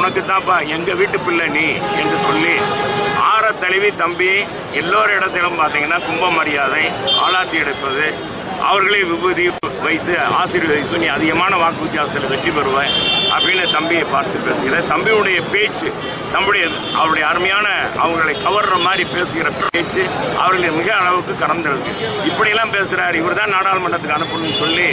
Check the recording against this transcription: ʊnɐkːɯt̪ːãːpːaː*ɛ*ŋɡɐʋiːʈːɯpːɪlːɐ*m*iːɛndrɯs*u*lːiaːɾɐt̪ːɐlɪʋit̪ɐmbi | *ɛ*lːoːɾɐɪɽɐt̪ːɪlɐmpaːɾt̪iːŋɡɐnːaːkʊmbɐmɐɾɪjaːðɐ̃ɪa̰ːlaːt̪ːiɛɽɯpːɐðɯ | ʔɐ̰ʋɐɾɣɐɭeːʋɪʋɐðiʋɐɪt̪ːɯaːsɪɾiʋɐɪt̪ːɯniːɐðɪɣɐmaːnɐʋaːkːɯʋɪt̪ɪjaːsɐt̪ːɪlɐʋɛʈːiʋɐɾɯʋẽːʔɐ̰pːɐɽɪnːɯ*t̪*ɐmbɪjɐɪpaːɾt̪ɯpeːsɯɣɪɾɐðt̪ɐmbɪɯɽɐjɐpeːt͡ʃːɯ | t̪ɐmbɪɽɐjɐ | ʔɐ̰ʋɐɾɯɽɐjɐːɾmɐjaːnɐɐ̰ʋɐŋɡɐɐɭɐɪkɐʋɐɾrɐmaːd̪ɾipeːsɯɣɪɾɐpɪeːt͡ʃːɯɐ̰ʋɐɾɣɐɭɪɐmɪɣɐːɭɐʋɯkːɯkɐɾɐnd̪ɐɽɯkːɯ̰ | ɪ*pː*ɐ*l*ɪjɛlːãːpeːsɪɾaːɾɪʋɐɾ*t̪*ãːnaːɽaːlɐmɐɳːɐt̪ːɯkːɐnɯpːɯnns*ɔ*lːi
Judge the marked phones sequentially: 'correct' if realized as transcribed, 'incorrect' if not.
correct, incorrect, incorrect, correct, correct, correct, incorrect, correct, correct

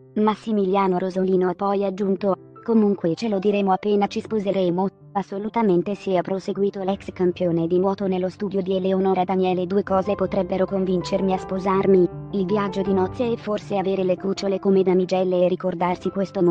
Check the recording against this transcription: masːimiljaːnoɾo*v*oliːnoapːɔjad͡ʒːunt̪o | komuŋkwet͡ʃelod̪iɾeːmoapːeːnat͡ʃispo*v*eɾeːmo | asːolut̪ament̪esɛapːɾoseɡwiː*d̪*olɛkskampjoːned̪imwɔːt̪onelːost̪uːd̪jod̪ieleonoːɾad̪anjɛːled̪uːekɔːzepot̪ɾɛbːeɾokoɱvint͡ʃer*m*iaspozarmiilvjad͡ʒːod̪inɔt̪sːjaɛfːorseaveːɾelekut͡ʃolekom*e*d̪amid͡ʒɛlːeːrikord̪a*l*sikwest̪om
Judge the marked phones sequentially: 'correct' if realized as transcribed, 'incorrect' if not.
incorrect, incorrect, incorrect, correct, correct, incorrect

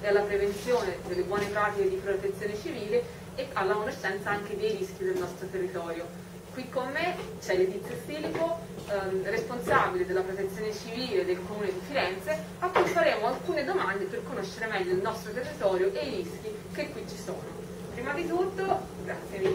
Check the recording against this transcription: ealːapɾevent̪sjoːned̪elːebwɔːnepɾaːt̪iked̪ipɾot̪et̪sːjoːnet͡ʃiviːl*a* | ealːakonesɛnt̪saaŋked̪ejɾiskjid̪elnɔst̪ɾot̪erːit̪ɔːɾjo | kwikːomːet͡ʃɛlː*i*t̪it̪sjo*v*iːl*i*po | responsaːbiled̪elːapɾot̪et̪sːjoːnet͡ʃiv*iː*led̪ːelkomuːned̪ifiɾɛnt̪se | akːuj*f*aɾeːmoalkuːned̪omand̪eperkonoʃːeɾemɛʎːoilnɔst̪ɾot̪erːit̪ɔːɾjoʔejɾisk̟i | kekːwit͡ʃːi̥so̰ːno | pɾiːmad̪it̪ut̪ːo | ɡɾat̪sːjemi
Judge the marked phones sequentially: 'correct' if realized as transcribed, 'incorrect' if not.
incorrect, incorrect, incorrect, correct, correct, correct

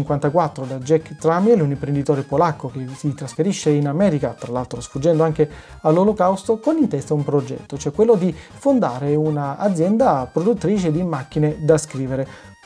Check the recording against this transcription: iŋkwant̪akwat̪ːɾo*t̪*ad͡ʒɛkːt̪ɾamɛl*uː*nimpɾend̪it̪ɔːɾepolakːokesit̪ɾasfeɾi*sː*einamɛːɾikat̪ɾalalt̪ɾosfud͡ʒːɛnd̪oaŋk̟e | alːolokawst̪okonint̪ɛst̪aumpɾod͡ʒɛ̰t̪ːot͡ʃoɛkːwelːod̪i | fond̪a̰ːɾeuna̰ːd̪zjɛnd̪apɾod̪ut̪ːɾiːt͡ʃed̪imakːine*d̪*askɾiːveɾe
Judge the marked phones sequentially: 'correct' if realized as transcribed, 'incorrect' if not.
incorrect, incorrect, incorrect, correct

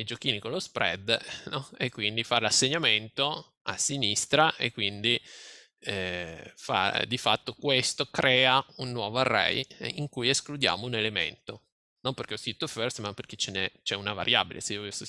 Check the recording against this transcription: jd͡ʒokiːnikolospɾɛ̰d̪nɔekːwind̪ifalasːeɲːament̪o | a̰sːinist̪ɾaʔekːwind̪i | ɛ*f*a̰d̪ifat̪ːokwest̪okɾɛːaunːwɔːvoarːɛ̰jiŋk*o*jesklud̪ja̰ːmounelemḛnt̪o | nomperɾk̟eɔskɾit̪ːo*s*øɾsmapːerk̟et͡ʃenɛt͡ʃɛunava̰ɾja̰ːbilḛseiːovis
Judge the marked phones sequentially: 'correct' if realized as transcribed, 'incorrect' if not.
correct, incorrect, incorrect

